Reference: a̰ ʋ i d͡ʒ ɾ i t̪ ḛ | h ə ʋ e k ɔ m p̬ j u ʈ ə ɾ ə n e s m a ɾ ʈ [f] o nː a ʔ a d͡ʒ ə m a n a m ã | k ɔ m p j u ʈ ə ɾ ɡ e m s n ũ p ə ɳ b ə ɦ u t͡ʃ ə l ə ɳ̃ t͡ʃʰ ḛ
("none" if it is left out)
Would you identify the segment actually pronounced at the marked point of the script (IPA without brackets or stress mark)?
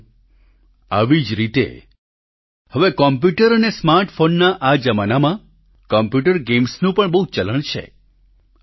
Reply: f